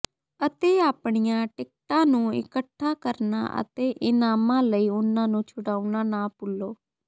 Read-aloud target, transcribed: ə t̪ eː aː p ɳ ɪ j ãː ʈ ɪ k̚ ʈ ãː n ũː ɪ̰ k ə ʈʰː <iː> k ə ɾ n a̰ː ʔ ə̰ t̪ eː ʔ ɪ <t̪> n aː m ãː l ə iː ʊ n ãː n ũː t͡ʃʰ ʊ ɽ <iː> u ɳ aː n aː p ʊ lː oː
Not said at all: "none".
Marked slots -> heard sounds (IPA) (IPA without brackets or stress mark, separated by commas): aː, none, aː